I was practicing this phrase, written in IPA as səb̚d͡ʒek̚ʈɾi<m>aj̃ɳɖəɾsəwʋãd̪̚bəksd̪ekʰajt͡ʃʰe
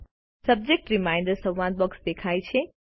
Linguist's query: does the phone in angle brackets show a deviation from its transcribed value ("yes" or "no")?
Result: no